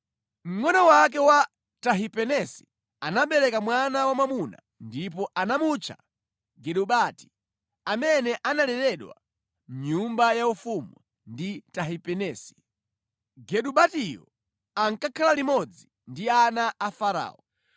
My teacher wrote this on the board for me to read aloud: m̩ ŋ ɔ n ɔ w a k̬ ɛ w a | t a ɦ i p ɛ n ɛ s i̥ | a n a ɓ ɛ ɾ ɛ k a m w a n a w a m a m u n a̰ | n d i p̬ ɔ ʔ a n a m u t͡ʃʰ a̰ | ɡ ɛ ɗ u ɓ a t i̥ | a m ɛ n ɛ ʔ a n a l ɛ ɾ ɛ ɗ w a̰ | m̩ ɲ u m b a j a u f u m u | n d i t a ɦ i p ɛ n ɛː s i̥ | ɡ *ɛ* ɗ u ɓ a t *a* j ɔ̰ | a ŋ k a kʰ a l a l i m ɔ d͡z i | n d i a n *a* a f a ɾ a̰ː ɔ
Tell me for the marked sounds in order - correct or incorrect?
correct, incorrect: i, correct

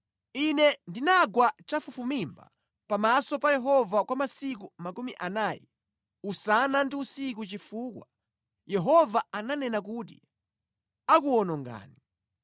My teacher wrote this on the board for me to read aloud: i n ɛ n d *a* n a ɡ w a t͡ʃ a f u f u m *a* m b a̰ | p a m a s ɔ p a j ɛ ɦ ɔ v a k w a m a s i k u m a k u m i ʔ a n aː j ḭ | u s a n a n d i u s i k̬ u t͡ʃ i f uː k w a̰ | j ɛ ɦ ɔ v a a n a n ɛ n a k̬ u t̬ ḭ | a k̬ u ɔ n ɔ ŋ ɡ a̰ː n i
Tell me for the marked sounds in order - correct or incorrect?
incorrect: i, incorrect: i

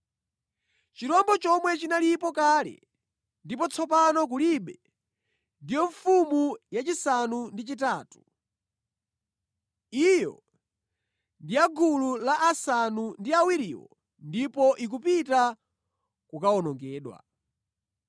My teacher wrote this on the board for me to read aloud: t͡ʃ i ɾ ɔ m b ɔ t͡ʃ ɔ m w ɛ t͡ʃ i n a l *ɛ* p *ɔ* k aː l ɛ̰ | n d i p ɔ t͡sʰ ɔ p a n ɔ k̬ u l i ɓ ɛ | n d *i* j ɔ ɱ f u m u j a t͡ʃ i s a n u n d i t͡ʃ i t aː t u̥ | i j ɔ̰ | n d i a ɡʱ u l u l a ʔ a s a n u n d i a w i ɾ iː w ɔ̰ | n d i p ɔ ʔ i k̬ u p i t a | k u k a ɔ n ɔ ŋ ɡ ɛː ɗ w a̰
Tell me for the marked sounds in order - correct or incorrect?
incorrect: i, correct, correct

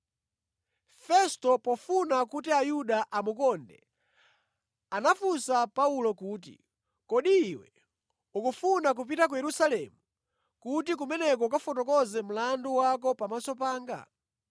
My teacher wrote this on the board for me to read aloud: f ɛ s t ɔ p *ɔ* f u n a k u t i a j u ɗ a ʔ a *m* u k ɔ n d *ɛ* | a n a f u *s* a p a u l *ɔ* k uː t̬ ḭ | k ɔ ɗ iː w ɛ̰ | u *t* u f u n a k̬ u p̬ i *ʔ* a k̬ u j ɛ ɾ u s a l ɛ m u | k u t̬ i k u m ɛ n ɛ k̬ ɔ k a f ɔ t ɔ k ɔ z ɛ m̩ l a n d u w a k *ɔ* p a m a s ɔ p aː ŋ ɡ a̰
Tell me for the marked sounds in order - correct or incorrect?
correct, correct, correct, correct, correct, incorrect: k, incorrect: t, correct

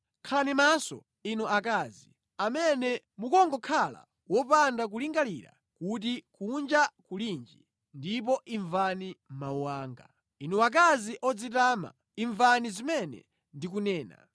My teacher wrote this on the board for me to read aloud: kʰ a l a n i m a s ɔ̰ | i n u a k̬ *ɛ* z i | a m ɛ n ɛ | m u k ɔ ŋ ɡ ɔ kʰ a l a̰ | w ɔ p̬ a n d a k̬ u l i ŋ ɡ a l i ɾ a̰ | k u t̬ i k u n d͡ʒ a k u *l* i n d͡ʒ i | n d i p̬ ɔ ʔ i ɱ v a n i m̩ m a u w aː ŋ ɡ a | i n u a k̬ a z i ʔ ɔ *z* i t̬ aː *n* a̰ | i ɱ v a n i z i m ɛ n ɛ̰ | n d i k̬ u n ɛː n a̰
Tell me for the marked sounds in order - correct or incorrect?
incorrect: a, correct, incorrect: d͡z, incorrect: m

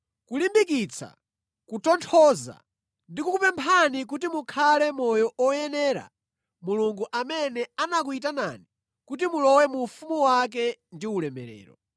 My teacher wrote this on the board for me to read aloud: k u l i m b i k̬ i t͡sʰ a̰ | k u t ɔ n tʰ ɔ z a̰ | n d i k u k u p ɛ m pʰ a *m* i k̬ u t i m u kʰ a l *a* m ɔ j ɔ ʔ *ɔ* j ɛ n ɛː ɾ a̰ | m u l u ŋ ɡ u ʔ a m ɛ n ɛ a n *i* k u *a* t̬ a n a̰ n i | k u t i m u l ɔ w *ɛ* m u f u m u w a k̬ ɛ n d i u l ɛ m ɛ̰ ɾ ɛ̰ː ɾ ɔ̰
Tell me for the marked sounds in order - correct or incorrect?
incorrect: n, incorrect: ɛ, correct, incorrect: a, incorrect: i, correct

